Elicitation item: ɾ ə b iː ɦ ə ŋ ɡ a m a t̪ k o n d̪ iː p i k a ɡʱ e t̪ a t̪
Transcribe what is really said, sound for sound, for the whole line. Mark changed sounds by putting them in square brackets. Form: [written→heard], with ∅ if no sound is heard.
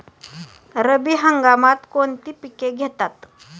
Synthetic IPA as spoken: ɾ ə b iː ɦ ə ŋ ɡ a m a t̪ k o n [d̪→t̪] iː p i k [a→e] ɡʱ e t̪ a t̪